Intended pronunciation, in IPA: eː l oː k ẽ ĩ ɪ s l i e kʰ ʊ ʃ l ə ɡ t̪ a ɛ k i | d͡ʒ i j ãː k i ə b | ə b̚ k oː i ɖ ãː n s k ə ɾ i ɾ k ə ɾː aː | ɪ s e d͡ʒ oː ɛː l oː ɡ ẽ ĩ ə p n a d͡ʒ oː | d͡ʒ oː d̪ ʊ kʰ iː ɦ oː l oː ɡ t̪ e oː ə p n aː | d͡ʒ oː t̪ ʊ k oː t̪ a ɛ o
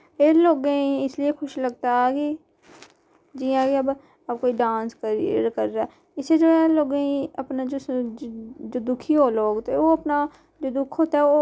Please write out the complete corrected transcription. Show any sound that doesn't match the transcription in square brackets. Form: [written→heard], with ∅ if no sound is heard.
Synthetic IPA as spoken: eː l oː [k→ɡ] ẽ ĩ ɪ s l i e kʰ ʊ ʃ l ə ɡ t̪ a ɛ k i | d͡ʒ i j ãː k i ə b | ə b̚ k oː i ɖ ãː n s k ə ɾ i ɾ k ə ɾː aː | ɪ s e d͡ʒ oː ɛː l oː ɡ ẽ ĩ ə p n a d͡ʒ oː | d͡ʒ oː d̪ ʊ kʰ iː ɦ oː l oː ɡ t̪ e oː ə p n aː | d͡ʒ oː [t̪→d̪] ʊ [k→kʰ] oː t̪ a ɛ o